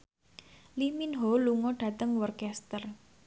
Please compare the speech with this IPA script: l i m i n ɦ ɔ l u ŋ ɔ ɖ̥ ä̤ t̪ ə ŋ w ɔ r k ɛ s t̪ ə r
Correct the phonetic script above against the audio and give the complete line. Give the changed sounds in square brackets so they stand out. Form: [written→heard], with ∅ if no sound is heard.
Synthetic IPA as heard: l i m i n ɦ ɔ l u ŋ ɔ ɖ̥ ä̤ t̪ ə ŋ w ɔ r k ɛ s t̪ ə r